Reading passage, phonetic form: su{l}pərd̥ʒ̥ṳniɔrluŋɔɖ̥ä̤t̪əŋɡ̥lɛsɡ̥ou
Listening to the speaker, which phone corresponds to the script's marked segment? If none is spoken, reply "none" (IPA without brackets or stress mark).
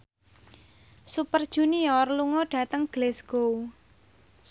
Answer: none